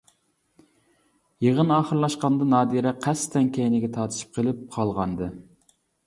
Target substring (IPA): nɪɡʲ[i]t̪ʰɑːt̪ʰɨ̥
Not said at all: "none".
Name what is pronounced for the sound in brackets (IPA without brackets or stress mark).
ɛ